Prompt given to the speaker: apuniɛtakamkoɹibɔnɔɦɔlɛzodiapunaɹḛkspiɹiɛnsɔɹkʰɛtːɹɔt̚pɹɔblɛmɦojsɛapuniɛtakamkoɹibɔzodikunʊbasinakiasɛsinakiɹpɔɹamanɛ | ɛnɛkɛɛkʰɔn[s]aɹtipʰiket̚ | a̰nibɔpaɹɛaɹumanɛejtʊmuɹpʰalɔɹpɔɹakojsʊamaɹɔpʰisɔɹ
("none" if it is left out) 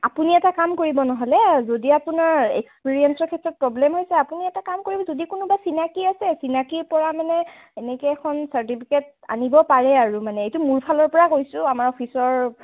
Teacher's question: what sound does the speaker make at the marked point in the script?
s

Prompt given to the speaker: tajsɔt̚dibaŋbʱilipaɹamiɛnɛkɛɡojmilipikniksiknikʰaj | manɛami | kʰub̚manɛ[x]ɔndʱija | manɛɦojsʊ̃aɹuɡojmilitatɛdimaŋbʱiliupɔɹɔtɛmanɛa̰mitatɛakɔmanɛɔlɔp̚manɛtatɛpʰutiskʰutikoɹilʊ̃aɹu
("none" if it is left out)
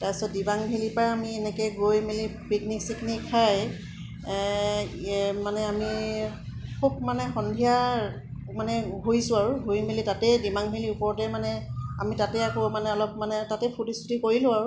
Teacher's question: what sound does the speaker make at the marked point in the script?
x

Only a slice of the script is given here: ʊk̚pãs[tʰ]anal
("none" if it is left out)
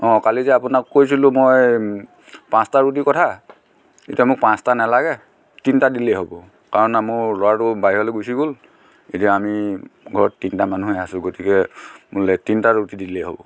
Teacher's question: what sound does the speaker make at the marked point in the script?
t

